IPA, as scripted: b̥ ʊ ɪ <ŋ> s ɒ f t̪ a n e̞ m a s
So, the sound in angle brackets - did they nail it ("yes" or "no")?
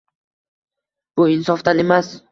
no